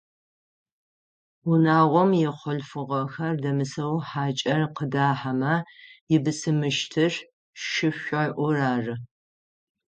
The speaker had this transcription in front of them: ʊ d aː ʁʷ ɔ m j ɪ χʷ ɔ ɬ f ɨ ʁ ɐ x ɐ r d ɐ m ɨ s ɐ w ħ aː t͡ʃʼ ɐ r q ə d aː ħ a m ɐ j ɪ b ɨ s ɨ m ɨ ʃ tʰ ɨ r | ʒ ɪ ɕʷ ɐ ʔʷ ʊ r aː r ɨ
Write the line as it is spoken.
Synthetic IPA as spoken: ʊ n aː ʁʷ ɔ m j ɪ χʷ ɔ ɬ f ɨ ʁ ɐ x ɐ r d ɐ m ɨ s ɐ w ħ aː t͡ʃʼ ɐ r q ə d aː ħ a m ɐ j ɪ b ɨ s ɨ m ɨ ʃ tʰ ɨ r | ʃ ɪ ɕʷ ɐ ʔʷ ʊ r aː r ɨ